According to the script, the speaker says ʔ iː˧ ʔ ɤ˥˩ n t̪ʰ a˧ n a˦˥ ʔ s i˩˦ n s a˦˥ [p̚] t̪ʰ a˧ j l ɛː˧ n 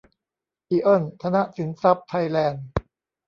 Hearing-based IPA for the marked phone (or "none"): p̚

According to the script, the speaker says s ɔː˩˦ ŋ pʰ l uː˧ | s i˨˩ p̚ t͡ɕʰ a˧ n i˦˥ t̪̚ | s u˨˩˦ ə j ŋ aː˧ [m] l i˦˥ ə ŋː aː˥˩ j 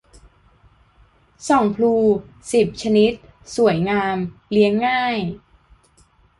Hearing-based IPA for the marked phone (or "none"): m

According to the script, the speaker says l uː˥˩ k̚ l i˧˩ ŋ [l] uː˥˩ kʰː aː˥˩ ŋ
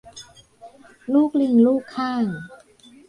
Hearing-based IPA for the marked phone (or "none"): l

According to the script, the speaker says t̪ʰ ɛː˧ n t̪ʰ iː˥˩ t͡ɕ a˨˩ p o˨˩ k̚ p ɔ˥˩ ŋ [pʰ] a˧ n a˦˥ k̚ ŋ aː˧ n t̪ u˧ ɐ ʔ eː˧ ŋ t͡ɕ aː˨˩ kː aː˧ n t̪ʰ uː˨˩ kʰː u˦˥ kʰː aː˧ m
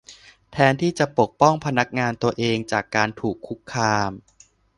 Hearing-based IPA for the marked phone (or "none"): pʰ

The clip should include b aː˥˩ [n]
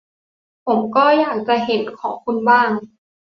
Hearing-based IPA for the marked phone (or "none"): ŋ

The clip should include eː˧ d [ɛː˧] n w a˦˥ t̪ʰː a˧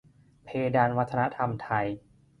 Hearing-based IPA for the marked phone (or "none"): aː˧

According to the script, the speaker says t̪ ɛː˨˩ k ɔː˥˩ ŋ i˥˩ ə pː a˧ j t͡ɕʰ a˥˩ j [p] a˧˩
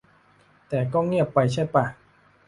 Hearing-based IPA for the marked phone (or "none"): p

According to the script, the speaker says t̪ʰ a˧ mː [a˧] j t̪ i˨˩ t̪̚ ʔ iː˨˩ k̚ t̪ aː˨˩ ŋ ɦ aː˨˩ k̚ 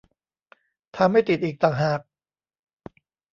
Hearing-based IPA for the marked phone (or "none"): a˥˩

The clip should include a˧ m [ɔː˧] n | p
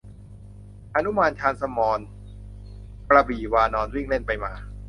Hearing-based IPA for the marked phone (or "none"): ɔː˧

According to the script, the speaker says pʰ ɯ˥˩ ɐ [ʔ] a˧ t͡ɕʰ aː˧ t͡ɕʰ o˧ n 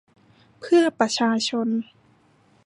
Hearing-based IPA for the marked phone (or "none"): p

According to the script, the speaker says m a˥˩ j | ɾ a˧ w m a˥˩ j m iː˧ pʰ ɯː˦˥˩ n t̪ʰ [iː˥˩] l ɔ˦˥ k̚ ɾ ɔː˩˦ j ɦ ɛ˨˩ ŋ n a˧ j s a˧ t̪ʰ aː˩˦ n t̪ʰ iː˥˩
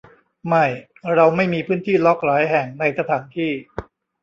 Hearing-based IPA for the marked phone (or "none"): iː˥˩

